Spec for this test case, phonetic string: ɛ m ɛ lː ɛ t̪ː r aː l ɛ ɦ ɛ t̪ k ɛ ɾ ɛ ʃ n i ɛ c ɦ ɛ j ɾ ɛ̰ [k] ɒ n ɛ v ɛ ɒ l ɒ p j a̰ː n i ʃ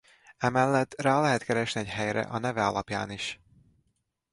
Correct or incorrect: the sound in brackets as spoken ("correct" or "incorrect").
incorrect